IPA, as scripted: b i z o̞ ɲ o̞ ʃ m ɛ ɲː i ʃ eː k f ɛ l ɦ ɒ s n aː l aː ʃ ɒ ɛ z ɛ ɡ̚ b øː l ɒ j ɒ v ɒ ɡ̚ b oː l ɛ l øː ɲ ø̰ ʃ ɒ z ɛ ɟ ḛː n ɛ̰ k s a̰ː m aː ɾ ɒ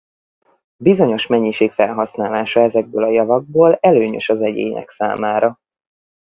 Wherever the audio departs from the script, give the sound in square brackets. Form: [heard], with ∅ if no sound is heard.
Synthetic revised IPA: b i z o̞ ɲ o̞ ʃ m ɛ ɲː i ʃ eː k f ɛ l ɦ ɒ s n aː l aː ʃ ɒ ɛ z ɛ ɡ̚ b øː l ɒ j ɒ v ɒ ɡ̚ b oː l ɛ l øː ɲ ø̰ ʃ ɒ z ɛ ɟ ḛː [ɲ] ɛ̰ k s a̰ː m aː ɾ ɒ